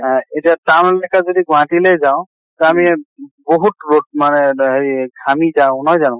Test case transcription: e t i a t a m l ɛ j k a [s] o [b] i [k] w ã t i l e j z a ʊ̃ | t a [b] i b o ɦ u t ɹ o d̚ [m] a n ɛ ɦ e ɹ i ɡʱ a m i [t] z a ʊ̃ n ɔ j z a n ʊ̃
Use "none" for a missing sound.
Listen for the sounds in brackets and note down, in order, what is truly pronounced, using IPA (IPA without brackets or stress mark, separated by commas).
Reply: z, d, ɡ, m, m, none